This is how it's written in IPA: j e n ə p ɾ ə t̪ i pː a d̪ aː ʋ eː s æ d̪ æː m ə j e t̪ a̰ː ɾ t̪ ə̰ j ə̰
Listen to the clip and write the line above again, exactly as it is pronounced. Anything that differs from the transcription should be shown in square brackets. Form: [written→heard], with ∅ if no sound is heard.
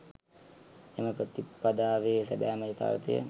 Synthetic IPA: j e [n→m] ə p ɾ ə t̪ i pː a d̪ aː ʋ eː s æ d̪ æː m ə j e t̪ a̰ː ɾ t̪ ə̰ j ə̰